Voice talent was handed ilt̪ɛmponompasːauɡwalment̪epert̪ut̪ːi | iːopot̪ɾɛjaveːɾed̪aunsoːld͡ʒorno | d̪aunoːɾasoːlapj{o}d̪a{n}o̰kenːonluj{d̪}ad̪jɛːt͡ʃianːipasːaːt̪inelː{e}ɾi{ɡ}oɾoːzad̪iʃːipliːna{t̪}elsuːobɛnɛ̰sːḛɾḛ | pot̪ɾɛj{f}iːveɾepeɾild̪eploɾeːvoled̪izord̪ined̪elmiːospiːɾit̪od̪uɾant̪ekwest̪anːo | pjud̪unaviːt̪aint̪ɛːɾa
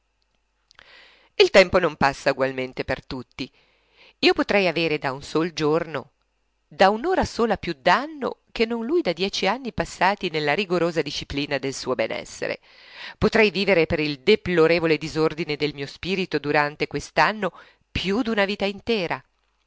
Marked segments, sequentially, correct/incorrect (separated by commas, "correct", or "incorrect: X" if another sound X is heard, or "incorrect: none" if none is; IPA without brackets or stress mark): incorrect: u, incorrect: nː, correct, incorrect: a, correct, incorrect: d̪, incorrect: v